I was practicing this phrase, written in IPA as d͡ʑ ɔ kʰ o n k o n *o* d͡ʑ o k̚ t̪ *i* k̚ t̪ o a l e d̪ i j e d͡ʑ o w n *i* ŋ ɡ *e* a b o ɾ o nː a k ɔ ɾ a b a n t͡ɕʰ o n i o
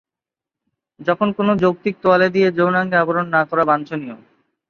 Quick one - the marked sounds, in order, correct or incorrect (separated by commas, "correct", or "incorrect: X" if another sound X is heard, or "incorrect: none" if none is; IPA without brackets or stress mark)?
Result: correct, correct, incorrect: a, correct